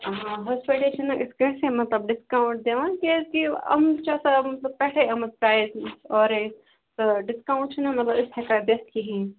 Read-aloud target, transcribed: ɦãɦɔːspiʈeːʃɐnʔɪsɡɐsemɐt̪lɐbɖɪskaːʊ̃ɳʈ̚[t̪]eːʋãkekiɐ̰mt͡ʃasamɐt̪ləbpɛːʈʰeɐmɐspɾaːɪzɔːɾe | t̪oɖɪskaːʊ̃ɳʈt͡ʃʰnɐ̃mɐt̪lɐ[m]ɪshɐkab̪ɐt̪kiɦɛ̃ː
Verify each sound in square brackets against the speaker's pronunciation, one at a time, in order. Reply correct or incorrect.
incorrect, incorrect

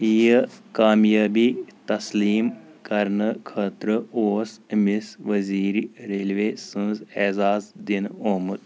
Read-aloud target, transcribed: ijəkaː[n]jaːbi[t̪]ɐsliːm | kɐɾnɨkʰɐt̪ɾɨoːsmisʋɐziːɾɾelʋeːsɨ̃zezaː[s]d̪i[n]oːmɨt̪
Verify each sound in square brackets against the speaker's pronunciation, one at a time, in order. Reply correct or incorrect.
incorrect, correct, incorrect, correct

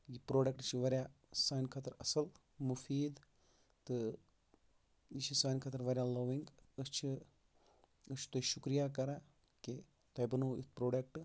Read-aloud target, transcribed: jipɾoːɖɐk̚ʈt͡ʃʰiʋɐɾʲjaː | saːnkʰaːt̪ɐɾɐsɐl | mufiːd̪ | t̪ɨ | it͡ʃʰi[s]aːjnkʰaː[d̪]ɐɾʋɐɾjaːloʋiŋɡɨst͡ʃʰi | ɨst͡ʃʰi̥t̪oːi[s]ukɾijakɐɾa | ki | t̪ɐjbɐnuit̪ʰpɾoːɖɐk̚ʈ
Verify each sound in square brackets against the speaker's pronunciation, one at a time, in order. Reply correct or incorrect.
correct, incorrect, incorrect

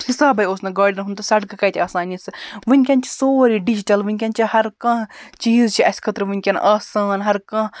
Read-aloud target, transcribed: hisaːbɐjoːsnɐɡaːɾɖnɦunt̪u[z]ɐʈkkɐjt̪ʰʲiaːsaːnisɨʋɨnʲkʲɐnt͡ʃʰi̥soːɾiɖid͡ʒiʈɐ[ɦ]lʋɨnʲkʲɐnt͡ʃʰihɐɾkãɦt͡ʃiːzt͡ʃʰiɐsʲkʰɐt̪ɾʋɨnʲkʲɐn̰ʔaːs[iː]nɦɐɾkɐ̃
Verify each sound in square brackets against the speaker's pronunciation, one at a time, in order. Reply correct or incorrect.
incorrect, incorrect, incorrect

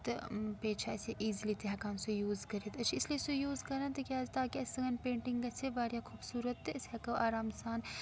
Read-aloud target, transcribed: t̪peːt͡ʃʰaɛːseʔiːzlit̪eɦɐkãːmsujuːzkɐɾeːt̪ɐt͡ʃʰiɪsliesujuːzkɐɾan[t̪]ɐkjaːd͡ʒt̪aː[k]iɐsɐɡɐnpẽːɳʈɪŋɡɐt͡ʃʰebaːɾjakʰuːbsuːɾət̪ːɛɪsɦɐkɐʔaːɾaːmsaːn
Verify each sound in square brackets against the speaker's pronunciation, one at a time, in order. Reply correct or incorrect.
correct, correct

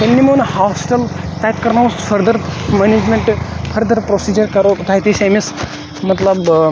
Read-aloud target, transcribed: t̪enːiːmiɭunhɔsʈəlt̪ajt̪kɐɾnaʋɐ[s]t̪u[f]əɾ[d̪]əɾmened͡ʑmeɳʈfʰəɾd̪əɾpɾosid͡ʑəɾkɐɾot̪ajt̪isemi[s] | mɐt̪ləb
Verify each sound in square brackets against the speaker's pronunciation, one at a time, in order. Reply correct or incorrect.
correct, correct, correct, correct

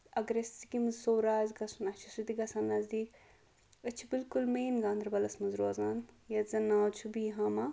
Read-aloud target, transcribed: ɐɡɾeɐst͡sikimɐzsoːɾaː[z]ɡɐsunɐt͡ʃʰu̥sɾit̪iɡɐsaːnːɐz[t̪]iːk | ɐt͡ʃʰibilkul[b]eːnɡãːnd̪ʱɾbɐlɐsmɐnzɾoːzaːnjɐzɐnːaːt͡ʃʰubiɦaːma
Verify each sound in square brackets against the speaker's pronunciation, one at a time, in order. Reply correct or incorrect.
correct, incorrect, incorrect

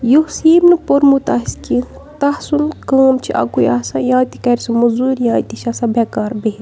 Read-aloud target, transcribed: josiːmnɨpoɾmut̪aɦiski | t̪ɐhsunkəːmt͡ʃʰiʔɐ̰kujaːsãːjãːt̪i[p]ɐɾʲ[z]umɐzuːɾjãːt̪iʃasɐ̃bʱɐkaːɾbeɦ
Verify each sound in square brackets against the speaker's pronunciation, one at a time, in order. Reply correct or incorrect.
incorrect, incorrect

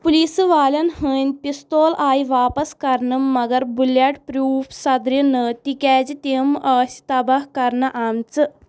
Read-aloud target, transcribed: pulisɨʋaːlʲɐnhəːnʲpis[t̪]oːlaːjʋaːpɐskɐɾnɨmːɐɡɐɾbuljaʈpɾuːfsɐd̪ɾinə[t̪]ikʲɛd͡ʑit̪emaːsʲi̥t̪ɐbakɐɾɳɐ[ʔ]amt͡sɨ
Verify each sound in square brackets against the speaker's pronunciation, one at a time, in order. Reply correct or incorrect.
correct, correct, correct

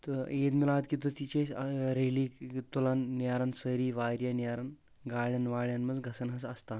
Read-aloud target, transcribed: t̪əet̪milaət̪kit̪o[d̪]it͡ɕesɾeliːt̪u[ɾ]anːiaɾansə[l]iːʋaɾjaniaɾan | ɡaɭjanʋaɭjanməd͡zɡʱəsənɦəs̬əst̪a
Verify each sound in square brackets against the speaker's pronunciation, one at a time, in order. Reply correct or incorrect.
incorrect, incorrect, incorrect

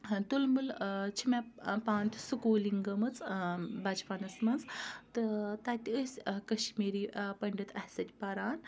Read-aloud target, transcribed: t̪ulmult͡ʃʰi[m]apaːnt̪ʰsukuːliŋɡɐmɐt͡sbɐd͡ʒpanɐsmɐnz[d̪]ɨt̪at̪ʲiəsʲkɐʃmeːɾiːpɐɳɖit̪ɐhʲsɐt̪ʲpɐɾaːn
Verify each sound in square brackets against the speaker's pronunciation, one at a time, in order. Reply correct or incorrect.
correct, incorrect

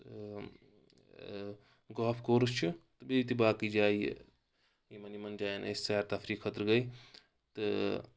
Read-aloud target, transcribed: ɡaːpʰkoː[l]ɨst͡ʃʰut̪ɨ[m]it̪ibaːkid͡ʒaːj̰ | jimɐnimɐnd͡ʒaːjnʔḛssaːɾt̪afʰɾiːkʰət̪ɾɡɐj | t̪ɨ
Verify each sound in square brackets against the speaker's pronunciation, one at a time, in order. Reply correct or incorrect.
incorrect, incorrect

